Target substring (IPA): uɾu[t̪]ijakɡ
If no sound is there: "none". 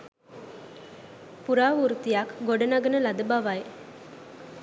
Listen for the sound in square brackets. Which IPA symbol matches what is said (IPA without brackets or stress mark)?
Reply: t̪